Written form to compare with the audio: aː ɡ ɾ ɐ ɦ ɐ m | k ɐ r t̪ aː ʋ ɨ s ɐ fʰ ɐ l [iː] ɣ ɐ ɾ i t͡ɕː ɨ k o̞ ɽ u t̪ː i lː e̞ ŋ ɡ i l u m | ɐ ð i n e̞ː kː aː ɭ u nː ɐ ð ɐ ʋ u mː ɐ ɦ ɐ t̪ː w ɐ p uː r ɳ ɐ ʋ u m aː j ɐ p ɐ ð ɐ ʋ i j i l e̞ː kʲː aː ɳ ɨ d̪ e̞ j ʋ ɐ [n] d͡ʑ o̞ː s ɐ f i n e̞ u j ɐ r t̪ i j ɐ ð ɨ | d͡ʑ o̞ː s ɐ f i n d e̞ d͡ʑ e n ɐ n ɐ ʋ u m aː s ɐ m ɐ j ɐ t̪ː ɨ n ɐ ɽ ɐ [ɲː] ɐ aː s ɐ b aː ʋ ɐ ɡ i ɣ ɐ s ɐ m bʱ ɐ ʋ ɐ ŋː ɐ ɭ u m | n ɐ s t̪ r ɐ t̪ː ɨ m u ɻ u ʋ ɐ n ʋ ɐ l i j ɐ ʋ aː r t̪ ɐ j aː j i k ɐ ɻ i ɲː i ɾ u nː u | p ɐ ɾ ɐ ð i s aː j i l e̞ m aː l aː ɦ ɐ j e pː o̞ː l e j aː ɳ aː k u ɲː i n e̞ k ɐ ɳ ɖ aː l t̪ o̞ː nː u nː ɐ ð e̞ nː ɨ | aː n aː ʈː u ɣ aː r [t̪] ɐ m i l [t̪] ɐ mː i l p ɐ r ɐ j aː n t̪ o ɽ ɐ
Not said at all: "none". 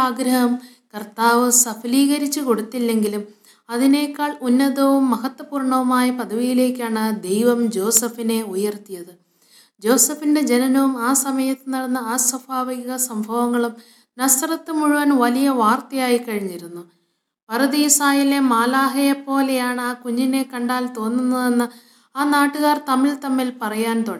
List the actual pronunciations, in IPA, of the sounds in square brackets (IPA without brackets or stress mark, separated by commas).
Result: iː, m, nː, t̪, t̪